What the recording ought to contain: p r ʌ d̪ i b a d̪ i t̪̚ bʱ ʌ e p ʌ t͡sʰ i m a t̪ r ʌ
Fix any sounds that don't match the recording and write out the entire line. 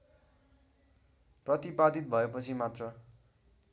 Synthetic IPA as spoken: p r ʌ t̪ i p a d̪ i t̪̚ bʱ ʌ e p ʌ t͡sʰ i m a t̪ r ʌ